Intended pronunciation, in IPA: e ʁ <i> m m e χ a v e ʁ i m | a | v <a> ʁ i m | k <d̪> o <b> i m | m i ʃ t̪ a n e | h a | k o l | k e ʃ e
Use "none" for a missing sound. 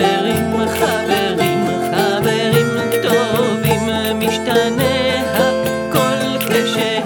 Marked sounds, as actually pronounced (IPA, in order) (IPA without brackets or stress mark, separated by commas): i, e, t̪, v